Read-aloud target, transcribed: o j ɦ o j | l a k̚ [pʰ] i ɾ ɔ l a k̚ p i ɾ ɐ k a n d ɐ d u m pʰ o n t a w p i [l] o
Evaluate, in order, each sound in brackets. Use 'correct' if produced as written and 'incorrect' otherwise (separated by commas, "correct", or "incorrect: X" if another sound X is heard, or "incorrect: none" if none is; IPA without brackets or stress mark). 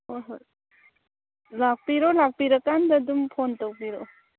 incorrect: p, incorrect: ɾ